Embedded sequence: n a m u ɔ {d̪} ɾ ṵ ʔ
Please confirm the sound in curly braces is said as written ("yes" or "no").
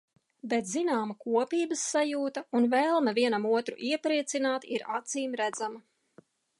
no